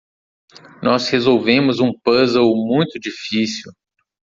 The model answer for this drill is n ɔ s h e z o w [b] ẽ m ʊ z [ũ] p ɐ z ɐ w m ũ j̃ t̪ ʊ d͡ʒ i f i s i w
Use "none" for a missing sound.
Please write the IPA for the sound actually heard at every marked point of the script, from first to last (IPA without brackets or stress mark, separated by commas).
v, ũ